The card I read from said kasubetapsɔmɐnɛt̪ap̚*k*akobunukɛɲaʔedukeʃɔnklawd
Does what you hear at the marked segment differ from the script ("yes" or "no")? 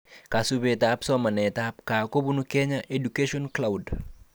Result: no